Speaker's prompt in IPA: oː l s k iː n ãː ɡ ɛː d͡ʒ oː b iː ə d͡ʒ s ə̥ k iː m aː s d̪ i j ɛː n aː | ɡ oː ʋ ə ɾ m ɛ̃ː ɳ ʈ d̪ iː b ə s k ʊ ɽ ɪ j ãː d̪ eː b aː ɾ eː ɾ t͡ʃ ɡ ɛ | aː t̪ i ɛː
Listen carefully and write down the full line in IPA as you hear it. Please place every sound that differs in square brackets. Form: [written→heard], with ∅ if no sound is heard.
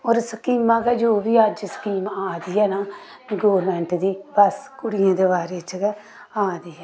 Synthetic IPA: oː [l→ɾ] s k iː [n→m] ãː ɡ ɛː d͡ʒ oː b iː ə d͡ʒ s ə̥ k iː m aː [s→∅] d̪ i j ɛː n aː | ɡ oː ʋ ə ɾ m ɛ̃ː ɳ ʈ d̪ iː b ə s k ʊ ɽ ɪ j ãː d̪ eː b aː ɾ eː [ɾ→∅] t͡ʃ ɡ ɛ | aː [t̪→d̪] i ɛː

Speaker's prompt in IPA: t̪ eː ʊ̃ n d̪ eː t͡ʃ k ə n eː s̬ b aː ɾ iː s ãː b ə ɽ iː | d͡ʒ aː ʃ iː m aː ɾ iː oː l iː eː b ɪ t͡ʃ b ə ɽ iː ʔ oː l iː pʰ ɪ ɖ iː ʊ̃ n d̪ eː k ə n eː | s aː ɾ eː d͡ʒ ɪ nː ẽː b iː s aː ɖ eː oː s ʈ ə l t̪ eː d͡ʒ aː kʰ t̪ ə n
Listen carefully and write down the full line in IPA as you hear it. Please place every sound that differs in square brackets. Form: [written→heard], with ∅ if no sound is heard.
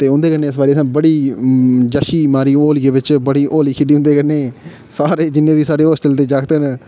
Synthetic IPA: t̪ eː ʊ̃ n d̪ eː [t͡ʃ→∅] k ə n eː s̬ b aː ɾ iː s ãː b ə ɽ iː | d͡ʒ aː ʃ iː m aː ɾ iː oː l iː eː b ɪ t͡ʃ b ə ɽ iː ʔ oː l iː [pʰ→kʰ] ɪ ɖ iː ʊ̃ n d̪ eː k ə n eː | s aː ɾ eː d͡ʒ ɪ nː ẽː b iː s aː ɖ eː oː s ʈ ə l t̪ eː d͡ʒ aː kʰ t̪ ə n

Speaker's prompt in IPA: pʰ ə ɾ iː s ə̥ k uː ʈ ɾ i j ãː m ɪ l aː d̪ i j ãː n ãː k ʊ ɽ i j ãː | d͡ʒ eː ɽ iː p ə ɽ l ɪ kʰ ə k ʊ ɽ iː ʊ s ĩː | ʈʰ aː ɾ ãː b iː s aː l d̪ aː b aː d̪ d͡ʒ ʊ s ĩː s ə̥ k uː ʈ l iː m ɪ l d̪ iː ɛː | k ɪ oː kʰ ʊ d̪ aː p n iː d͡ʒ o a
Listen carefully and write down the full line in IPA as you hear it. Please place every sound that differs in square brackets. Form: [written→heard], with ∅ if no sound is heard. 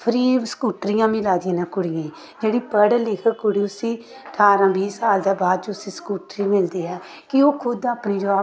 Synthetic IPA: pʰ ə ɾ iː s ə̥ k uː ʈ ɾ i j ãː m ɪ l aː d̪ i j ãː n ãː k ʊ ɽ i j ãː | d͡ʒ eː ɽ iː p ə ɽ l ɪ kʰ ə k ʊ ɽ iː ʊ s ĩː | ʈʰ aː ɾ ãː b iː s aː l d̪ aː b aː d̪ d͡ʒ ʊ s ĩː s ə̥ k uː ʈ [l→ɾ] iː m ɪ l d̪ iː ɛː | k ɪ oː kʰ ʊ d̪ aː p n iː d͡ʒ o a

